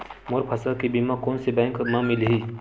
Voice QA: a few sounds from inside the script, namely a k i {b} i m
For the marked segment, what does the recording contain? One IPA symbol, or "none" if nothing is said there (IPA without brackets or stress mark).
b